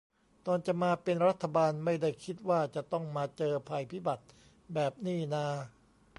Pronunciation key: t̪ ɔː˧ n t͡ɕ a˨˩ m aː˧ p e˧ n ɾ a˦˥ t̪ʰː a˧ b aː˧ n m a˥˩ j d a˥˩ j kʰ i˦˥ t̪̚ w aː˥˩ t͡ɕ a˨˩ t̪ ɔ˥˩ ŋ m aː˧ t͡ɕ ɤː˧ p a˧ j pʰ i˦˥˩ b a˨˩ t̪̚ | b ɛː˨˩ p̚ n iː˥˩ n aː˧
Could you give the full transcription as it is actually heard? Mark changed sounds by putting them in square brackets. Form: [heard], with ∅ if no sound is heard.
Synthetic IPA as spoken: t̪ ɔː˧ n t͡ɕ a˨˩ m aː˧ p e˧ n ɾ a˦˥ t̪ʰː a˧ b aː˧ n m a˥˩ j d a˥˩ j kʰ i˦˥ t̪̚ w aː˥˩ t͡ɕ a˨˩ t̪ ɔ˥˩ ŋ m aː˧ t͡ɕ ɤː˧ [pʰ] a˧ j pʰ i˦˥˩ b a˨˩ t̪̚ | b ɛː˨˩ p̚ n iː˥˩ n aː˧